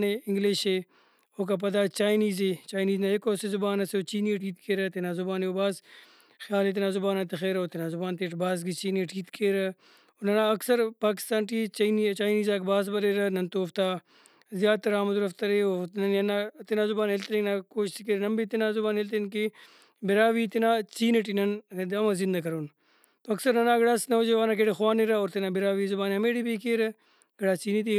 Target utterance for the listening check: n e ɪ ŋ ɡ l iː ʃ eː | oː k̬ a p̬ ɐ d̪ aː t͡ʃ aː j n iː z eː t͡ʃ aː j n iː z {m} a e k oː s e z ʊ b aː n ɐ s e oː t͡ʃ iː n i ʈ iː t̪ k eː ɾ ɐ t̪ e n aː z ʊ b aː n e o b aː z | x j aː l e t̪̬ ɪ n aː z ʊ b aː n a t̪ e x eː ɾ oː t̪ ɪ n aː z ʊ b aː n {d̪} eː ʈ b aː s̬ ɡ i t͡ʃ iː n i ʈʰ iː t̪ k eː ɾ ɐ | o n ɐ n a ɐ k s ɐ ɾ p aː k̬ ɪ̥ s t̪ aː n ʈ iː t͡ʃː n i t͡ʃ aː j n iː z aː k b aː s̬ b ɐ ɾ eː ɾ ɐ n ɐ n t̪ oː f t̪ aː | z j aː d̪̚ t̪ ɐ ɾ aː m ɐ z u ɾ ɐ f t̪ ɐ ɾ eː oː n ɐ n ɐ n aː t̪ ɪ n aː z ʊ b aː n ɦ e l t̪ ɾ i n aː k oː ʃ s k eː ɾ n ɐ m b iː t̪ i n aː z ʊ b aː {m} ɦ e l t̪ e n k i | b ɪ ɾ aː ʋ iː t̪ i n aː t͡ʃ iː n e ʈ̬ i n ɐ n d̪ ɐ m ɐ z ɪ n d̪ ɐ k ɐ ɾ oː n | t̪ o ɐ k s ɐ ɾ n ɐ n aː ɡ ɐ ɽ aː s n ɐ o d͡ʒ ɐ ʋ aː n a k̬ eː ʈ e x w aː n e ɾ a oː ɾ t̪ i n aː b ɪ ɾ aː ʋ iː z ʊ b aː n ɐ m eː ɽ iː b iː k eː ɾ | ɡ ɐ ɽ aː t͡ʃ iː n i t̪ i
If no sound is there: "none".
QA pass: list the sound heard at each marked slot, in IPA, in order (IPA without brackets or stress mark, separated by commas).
n, t̪, n